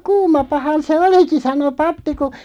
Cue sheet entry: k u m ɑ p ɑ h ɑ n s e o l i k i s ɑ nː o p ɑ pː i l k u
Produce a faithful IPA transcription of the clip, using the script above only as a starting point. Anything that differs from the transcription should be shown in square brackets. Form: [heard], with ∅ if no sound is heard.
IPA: k [uː] m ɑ p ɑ h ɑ n s e o l i k i s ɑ [n] o p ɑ pː i [∅] k u